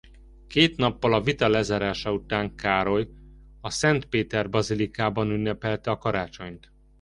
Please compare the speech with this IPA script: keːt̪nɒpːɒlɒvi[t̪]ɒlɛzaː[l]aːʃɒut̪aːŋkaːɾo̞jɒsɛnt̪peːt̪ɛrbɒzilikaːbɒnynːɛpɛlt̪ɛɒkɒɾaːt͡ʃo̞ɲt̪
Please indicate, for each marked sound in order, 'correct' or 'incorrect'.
correct, incorrect: ɾ

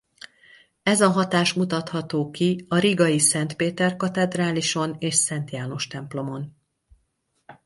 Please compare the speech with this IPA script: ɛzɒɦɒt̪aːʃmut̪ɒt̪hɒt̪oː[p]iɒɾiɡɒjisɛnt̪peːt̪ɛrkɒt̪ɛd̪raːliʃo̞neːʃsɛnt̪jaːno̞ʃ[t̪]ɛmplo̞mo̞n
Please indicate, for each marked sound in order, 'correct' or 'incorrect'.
incorrect: k, correct

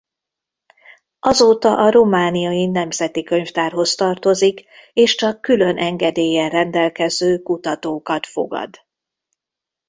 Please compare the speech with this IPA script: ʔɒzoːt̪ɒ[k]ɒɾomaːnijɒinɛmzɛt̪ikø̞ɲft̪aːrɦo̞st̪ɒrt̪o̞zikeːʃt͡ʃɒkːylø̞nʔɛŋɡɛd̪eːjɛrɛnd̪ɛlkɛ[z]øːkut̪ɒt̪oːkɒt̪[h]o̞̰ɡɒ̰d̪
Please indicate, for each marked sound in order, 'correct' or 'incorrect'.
incorrect: ʔ, correct, incorrect: f

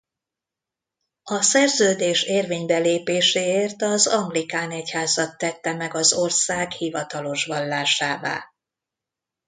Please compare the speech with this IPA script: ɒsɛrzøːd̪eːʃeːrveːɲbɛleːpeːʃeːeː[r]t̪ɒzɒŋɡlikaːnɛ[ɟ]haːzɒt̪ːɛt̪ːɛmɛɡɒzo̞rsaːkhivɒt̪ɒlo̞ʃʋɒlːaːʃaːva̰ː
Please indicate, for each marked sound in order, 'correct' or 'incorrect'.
correct, incorrect: c

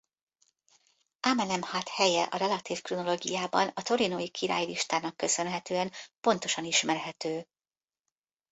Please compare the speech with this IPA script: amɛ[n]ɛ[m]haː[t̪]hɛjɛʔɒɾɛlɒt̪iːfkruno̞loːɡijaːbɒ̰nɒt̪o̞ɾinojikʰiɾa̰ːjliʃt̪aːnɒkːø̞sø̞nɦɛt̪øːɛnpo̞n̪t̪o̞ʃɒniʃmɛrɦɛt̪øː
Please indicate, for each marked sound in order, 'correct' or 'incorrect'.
correct, correct, correct

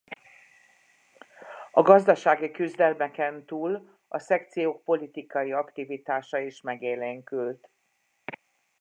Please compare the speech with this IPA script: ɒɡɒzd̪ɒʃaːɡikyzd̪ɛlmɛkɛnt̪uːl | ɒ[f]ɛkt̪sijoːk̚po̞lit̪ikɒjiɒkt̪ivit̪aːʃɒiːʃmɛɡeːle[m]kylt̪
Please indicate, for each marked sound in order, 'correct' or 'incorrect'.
incorrect: s, incorrect: ŋ

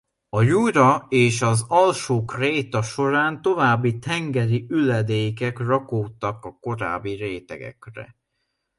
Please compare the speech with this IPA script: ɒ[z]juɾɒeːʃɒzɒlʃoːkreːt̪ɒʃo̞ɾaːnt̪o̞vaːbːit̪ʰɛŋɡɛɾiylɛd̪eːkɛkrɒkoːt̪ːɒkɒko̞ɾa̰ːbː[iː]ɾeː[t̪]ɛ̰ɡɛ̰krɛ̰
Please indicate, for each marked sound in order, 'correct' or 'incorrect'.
incorrect: none, incorrect: i, correct

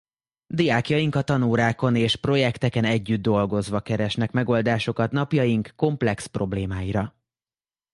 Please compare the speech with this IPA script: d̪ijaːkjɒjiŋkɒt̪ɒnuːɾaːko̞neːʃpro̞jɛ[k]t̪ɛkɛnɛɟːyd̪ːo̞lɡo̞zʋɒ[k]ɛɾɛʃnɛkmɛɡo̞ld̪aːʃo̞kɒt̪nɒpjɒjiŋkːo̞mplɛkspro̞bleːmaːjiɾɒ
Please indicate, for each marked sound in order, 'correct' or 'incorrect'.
correct, correct

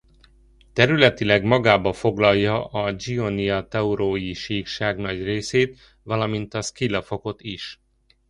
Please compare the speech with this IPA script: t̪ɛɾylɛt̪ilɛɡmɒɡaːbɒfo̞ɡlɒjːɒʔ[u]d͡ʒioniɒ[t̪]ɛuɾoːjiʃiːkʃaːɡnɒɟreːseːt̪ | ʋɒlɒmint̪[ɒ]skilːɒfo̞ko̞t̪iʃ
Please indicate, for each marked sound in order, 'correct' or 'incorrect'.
incorrect: ɒ, correct, correct

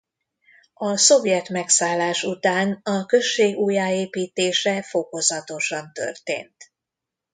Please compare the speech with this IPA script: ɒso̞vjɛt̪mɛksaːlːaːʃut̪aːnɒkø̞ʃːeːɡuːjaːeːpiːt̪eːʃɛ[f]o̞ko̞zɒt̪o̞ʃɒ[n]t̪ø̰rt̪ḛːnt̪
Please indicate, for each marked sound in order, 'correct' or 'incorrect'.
correct, correct

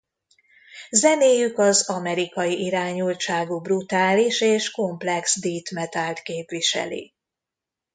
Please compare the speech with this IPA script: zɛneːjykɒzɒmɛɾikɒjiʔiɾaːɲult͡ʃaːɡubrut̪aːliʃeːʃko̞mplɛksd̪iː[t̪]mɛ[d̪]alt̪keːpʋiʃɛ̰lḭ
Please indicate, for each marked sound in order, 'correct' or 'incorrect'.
correct, incorrect: t̪

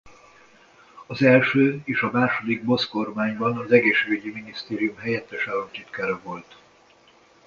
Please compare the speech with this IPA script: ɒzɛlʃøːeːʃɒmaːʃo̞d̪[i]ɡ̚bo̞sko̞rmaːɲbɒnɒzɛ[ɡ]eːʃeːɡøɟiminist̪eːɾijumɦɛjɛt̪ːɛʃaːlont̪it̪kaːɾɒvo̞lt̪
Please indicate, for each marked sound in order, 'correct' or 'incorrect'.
correct, correct

